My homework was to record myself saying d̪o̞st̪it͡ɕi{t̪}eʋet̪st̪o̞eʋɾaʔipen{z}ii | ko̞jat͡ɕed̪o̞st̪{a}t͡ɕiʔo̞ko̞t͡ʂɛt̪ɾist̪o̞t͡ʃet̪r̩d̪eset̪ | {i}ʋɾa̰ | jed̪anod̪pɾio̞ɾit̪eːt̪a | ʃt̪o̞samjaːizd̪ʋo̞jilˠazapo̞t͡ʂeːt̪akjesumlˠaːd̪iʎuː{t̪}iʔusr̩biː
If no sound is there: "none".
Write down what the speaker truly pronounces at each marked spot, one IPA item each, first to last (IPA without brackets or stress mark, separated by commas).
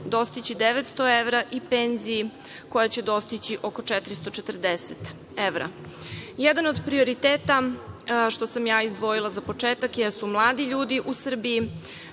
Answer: d̪, z, i, e, d̪